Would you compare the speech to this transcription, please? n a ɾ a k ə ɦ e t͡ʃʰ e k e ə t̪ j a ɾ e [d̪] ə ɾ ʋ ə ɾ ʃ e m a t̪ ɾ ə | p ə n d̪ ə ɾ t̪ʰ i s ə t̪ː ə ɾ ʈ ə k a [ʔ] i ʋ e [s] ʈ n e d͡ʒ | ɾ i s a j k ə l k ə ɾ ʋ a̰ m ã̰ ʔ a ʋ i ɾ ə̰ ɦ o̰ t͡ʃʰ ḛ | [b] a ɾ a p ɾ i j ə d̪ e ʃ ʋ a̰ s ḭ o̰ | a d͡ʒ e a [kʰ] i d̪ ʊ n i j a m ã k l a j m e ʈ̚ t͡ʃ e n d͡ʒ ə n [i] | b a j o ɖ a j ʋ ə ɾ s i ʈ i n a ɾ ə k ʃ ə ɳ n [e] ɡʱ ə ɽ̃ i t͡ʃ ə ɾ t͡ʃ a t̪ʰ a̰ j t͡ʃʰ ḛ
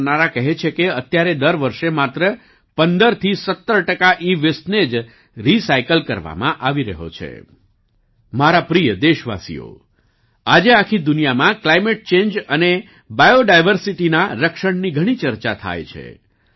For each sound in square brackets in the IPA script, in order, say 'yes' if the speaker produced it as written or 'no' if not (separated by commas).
yes, yes, yes, no, yes, no, no